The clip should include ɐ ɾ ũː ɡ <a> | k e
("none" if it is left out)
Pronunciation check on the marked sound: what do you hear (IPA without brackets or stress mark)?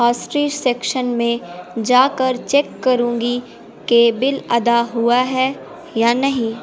i